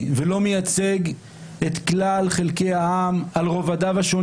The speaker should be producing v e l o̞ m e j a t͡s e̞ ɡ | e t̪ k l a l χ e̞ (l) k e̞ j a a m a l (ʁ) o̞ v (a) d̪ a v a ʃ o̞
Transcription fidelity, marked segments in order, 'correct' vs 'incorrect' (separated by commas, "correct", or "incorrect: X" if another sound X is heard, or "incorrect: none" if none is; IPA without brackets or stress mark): correct, correct, correct